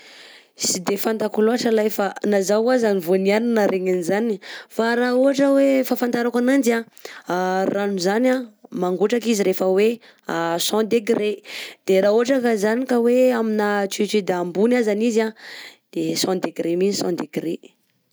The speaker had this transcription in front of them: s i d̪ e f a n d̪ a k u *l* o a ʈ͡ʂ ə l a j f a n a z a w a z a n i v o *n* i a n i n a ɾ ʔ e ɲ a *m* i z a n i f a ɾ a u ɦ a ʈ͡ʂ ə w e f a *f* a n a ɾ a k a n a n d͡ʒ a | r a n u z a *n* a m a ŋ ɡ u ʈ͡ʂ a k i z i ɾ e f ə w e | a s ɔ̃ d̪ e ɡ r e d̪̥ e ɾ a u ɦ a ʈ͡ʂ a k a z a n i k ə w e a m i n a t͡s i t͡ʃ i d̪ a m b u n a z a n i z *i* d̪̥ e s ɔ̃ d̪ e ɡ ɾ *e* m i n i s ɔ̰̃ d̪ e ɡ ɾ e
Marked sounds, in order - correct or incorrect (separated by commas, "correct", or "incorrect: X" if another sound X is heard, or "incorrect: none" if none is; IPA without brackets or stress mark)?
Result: correct, correct, incorrect: n, correct, correct, incorrect: a, correct